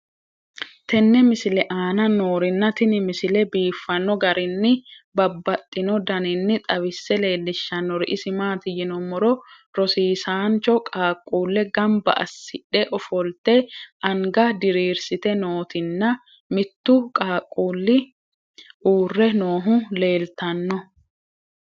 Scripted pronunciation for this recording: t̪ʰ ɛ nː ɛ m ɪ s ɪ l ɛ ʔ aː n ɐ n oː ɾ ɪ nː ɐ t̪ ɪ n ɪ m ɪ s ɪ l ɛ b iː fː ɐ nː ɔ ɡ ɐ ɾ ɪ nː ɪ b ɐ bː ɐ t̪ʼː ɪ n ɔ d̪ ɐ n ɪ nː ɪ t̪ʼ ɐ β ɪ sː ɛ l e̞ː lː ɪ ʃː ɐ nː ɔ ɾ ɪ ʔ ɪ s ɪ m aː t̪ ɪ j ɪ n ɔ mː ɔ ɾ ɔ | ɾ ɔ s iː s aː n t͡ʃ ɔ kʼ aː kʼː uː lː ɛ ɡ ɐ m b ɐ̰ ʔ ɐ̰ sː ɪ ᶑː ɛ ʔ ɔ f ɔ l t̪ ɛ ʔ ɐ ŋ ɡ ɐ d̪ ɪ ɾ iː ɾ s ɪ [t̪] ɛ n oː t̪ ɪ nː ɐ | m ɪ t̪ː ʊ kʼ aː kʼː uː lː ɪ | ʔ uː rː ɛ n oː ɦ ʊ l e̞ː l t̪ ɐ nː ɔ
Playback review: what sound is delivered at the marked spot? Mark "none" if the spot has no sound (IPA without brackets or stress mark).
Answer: t̪